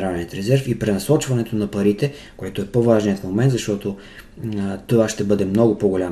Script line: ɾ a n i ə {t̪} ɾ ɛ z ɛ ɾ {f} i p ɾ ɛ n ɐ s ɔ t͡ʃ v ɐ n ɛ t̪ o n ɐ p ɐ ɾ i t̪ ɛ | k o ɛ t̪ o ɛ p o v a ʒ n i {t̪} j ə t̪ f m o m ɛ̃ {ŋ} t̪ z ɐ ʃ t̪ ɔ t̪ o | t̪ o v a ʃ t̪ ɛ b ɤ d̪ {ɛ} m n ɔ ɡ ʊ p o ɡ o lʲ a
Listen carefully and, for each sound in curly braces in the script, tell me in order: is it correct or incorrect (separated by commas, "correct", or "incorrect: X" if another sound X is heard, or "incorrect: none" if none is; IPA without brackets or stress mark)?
correct, correct, incorrect: none, incorrect: n, correct